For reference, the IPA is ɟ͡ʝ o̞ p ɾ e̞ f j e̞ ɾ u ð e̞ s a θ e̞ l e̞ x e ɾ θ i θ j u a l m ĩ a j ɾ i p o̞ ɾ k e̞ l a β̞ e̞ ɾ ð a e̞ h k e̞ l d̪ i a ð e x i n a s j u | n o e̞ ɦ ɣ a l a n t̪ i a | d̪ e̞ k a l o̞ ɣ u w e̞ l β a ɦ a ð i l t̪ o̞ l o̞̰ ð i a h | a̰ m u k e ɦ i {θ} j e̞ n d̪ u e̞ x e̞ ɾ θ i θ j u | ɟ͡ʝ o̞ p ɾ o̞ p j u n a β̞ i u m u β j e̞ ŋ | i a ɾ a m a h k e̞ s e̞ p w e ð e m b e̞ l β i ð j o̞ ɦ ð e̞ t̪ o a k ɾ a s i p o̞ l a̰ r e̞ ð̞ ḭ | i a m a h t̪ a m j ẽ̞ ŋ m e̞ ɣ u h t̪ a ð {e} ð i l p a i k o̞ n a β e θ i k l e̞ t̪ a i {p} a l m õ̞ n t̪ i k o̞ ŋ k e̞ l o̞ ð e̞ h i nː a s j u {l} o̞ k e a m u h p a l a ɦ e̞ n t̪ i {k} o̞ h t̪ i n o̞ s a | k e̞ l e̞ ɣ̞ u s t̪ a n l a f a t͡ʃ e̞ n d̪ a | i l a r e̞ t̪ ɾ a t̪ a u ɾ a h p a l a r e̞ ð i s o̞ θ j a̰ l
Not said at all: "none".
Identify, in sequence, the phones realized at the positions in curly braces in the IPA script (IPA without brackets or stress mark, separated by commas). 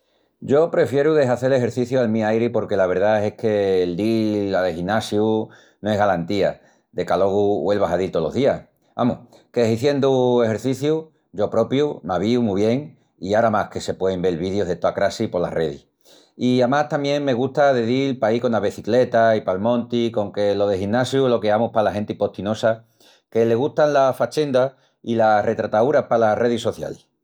θ, e, p, l, p